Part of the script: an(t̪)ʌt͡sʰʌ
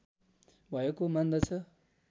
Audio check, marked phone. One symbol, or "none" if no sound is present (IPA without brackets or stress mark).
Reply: d̪